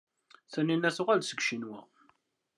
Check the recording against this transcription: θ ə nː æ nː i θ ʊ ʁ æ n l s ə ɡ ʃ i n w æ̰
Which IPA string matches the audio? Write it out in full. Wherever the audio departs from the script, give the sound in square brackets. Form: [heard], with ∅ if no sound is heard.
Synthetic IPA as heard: θ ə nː [i] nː [æ] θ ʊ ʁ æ [∅] l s ə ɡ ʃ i n w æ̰